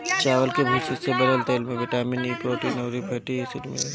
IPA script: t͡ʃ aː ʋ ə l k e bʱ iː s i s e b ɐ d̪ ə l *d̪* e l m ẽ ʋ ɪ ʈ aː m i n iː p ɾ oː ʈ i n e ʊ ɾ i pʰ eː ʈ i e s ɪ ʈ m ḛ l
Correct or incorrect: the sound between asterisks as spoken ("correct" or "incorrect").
incorrect